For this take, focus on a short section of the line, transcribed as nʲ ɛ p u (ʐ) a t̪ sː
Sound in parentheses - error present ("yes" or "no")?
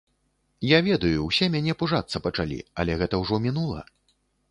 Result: no